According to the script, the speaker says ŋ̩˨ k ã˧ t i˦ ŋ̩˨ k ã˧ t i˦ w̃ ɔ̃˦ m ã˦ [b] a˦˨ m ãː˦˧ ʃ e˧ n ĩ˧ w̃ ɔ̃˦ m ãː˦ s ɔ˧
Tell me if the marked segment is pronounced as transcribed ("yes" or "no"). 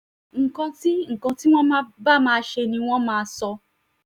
yes